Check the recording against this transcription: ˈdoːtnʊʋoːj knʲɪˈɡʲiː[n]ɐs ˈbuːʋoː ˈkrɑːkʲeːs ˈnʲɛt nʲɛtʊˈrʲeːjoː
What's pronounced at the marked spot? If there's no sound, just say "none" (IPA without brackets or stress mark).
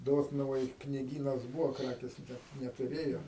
n